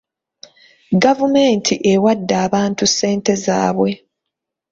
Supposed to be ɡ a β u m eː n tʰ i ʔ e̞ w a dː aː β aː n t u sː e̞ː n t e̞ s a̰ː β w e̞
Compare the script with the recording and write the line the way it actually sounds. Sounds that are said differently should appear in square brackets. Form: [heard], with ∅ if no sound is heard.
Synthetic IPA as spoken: ɡ a [v] u m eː n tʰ i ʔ e̞ w a dː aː β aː n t u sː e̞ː n t e̞ [z] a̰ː β w e̞

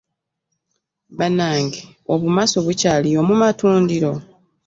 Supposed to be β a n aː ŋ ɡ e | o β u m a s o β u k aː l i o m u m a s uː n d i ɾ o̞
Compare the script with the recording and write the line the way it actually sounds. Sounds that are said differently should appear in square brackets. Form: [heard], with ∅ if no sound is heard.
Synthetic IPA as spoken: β a n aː ŋ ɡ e | o β u m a s o β u [c] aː l i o m u m a [t] uː n d i ɾ o̞

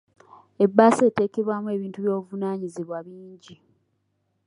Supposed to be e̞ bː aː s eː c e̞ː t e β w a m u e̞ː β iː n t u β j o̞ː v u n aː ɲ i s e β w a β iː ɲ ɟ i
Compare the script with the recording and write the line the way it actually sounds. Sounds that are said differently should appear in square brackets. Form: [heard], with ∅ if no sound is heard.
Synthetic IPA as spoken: e̞ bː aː s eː [t] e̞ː [k] e β w a m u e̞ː β iː n t u β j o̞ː v u n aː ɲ i [z] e β w a β iː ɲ ɟ i

